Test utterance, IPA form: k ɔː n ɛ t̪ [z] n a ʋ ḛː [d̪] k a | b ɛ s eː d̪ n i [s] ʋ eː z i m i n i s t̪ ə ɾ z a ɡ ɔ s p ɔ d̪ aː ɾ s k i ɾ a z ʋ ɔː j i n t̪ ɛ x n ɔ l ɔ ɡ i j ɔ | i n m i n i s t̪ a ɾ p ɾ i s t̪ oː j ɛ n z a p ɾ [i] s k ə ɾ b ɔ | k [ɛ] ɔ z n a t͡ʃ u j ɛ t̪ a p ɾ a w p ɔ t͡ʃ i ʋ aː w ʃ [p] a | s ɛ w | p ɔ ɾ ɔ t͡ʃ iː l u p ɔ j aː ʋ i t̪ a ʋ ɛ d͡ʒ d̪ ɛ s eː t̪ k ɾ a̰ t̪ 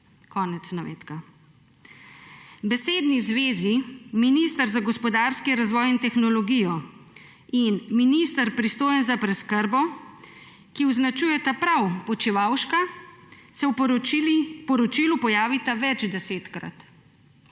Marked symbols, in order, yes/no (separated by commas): no, no, no, no, no, no